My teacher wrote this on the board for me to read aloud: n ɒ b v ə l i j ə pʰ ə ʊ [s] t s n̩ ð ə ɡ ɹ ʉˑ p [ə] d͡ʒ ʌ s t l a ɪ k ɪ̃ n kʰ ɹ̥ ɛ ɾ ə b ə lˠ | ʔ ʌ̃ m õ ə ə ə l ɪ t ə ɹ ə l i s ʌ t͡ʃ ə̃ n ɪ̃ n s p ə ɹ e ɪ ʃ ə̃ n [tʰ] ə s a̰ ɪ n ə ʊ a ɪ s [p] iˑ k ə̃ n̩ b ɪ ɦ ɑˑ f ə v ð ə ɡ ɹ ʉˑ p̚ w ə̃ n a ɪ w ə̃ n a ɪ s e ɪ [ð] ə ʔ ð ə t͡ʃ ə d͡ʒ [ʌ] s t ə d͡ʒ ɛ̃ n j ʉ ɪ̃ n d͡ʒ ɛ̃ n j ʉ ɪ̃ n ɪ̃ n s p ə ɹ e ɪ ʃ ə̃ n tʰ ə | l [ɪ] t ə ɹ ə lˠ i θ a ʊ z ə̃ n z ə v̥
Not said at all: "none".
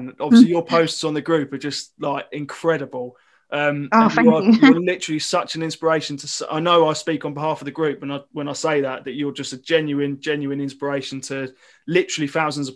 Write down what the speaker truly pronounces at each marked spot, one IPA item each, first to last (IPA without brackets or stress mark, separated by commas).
s, ə, tʰ, p, ð, ʌ, ɪ